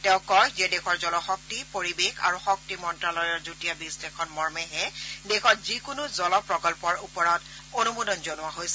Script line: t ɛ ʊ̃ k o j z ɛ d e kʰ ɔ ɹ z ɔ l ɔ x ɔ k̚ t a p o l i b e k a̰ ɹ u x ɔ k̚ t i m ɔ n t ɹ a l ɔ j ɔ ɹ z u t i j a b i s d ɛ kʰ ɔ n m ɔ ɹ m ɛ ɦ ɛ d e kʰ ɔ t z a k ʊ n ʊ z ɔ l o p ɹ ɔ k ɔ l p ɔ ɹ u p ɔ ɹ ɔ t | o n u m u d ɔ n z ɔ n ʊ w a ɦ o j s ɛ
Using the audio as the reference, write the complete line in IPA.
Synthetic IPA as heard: t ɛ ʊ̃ k ɔ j z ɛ d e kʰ ɔ ɹ z ɔ l ɔ x ɔ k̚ t i p o ɹ i b e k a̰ ɹ u x ɔ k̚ t i m ɔ n t ɹ a l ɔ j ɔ ɹ z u t i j a b i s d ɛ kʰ ɔ n m ɔ ɹ m ɛ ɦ ɛ d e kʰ ɔ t z i k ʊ n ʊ z ɔ l ɔ p ɹ ɔ k ɔ l p ɔ ɹ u p ɔ ɹ ɔ t | o n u m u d ɔ n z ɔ n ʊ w a ɦ o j s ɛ